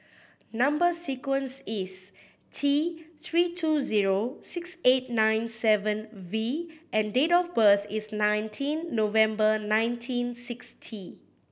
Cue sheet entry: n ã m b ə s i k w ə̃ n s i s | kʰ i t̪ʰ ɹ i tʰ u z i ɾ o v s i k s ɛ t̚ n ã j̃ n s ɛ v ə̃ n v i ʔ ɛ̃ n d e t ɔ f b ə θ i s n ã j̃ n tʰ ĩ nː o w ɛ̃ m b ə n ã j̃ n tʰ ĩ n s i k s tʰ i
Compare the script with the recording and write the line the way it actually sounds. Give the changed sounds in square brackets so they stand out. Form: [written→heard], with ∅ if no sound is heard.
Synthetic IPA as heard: n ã m b ə s i k w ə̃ n s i s | [kʰ→tʰ] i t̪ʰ ɹ i tʰ u z i [ɾ→ɹ] o [v→∅] s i k s [ɛ→e] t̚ n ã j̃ n s ɛ v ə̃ n v i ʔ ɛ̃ n d e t ɔ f b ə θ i s n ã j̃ n tʰ ĩ nː o [w→v] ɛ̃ m b ə n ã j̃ n tʰ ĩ n s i k s tʰ i